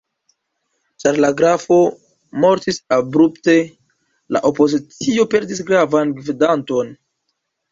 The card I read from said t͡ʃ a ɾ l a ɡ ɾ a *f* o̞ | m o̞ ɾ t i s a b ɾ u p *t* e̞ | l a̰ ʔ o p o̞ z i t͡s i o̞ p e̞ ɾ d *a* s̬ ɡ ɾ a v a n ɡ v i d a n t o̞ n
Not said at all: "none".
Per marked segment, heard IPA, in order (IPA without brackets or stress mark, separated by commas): f, t, i